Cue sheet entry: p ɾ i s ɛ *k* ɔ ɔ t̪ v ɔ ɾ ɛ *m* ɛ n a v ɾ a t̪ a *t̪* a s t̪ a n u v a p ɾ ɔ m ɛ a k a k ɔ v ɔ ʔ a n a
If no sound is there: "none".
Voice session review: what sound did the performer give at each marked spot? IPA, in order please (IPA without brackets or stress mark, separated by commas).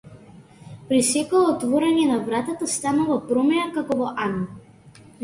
k, ɲ, t̪